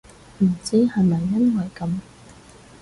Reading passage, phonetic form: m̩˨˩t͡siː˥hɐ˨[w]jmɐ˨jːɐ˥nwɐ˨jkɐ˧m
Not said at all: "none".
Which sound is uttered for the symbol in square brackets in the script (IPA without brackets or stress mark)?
none